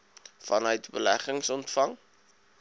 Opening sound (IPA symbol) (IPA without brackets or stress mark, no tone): f